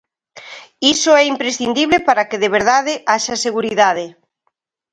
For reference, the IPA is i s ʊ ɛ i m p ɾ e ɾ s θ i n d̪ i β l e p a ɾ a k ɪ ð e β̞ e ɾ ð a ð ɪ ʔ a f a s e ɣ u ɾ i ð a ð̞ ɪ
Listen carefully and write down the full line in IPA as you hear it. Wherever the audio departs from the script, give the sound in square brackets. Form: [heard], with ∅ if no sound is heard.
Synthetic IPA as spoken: i s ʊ ɛ i m p ɾ e [∅] s θ i n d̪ i β l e p a ɾ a k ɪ ð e β̞ e ɾ ð a ð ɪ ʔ a [ʃ] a s e ɣ u ɾ i ð a ð̞ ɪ